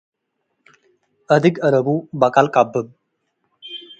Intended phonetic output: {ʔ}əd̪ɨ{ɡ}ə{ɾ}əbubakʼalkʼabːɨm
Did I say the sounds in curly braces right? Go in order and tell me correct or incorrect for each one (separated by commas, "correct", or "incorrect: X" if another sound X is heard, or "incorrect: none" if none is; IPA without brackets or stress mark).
correct, correct, correct